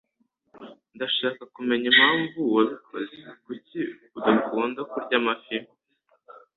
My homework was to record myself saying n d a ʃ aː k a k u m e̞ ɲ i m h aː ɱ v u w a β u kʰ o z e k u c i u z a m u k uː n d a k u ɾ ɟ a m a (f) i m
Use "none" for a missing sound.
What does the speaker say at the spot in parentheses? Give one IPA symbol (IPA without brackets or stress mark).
f